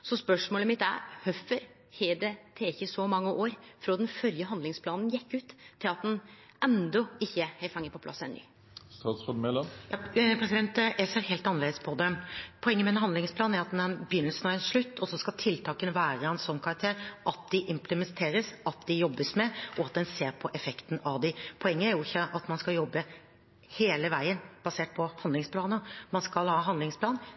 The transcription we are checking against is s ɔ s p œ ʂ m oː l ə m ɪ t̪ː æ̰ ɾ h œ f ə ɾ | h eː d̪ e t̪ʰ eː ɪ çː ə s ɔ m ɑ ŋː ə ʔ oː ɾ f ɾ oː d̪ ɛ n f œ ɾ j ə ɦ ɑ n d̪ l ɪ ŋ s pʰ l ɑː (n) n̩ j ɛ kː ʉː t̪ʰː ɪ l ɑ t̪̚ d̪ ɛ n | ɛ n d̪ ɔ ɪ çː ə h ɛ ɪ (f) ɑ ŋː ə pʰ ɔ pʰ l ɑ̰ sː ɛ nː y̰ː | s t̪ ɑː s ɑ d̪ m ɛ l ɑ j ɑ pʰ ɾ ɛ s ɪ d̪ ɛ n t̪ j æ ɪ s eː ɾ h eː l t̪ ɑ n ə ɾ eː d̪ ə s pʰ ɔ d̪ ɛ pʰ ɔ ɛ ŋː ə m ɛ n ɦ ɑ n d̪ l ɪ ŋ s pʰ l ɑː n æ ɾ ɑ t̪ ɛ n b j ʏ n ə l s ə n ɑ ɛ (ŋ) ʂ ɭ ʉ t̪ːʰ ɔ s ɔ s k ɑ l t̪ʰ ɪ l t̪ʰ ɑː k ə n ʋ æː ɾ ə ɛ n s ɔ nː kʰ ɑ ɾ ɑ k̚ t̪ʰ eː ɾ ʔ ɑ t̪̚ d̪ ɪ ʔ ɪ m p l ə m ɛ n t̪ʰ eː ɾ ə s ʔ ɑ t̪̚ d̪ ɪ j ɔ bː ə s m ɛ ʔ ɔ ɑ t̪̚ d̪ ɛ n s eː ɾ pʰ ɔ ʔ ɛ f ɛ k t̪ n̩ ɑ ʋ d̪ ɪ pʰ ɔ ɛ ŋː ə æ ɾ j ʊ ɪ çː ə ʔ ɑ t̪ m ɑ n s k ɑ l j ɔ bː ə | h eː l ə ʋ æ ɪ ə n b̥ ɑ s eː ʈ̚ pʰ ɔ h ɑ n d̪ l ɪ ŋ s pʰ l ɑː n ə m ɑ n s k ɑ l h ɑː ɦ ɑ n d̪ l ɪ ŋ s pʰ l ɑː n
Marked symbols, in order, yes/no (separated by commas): yes, yes, no